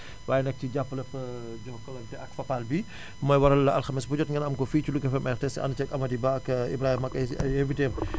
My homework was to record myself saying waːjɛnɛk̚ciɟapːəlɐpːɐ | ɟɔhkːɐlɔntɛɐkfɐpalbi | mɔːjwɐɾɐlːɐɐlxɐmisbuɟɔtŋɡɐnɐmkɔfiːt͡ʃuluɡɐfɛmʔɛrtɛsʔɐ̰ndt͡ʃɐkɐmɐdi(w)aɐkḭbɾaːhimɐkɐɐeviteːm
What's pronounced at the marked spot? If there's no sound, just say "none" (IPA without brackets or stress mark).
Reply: b